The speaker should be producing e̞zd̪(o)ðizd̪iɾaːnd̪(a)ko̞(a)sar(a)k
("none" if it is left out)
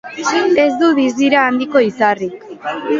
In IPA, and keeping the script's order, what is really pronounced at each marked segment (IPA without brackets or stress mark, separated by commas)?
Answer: u, i, i, i